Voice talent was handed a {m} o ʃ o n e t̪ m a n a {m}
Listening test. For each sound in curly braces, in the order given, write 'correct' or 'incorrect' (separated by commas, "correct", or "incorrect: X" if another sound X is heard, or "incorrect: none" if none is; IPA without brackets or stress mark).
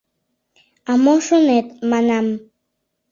correct, correct